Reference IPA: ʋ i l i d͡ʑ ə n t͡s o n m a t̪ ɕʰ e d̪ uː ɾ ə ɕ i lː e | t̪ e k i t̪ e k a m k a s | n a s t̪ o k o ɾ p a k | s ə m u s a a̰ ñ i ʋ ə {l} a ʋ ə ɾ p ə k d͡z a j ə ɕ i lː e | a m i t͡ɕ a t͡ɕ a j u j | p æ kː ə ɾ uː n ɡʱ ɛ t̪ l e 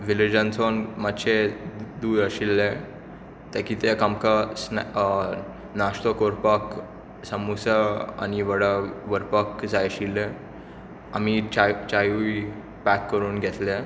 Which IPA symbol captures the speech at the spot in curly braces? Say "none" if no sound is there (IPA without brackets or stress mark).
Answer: ɽ